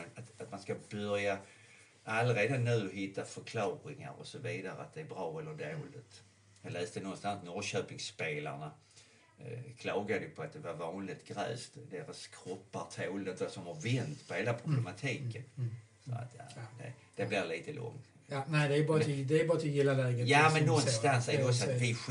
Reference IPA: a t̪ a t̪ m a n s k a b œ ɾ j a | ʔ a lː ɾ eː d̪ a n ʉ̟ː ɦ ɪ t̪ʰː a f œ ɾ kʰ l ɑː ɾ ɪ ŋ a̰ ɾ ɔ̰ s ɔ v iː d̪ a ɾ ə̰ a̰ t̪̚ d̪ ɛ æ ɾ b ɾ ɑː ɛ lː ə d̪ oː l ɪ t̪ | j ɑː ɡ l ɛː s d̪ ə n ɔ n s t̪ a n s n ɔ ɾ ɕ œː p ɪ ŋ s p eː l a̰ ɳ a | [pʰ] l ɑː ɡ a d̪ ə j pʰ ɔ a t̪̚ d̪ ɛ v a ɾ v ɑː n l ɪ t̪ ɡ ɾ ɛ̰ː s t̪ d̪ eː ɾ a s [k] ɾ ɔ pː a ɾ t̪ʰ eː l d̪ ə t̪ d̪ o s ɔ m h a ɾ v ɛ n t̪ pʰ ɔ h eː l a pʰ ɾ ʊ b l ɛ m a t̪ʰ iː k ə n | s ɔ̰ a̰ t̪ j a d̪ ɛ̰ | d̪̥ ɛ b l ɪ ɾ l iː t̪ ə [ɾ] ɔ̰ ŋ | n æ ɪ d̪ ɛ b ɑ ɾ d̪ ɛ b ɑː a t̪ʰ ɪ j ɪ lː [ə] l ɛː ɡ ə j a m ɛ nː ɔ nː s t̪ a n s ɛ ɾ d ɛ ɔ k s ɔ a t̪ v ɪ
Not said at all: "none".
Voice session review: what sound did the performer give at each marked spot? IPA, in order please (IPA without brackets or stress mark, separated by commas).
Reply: kʰ, kʰ, l, a